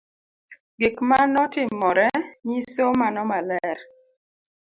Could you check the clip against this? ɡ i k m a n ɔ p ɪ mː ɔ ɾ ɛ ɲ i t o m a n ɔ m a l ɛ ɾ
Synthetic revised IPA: ɡ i k m a n ɔ t ɪ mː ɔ ɾ ɛ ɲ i s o m a n ɔ m a l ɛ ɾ